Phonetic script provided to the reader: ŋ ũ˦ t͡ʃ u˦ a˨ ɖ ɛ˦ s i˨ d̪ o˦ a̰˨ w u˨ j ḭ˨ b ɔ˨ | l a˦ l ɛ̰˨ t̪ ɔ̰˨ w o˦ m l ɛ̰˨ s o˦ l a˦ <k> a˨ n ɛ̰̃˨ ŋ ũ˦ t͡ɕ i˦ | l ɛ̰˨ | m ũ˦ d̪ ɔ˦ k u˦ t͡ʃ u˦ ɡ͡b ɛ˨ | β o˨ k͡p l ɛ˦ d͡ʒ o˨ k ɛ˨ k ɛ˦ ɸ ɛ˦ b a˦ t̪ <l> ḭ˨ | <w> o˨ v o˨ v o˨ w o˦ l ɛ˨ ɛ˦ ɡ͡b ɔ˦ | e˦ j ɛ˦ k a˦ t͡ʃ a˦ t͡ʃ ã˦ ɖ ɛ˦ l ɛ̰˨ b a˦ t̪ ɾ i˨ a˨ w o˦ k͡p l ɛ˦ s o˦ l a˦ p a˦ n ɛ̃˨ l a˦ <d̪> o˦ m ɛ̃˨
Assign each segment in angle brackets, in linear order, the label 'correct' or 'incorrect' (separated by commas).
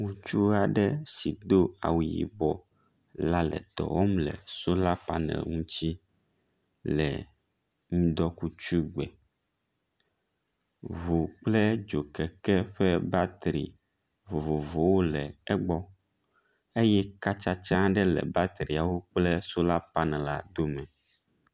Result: incorrect, incorrect, incorrect, correct